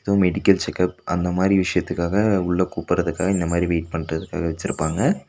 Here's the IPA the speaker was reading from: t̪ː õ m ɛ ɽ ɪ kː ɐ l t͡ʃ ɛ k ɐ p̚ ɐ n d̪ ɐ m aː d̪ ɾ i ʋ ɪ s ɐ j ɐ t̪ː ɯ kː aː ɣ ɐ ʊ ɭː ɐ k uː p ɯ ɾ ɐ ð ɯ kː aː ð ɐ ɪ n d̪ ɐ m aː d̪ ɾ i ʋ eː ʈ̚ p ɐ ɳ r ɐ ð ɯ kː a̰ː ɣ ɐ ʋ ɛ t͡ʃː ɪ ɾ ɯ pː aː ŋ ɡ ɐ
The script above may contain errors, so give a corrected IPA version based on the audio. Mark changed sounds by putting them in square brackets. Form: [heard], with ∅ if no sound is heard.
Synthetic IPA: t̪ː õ m ɛ ɽ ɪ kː ɐ l t͡ʃ ɛ k ɐ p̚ ɐ n d̪ ɐ m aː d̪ ɾ i ʋ ɪ [ʂ] ɐ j ɐ t̪ː ɯ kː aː ɣ ɐ ʊ ɭː ɐ k uː p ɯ ɾ ɐ ð ɯ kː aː [ɣ] ɐ ɪ n d̪ ɐ m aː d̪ ɾ i ʋ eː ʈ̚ p ɐ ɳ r ɐ ð ɯ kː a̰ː ɣ ɐ ʋ ɛ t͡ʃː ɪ ɾ ɯ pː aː ŋ ɡ ɐ